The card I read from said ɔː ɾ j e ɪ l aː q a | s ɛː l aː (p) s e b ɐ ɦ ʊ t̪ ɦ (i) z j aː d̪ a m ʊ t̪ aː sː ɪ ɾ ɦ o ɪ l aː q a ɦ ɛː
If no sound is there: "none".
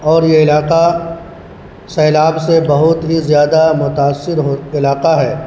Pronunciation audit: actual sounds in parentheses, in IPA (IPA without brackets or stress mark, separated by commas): b, i